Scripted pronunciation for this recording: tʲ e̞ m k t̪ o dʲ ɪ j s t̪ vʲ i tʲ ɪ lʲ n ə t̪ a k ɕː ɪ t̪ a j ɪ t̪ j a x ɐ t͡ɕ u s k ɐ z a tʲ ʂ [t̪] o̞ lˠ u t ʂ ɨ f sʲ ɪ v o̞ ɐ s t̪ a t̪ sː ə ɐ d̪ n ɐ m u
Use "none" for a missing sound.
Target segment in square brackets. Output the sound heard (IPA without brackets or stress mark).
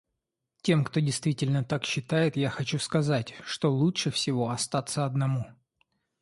t̪